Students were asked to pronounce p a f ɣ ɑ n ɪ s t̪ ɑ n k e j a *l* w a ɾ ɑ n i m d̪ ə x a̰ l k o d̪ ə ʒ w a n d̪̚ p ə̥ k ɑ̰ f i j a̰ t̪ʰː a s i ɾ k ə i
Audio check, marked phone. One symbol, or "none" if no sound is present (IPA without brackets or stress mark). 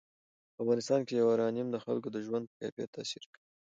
none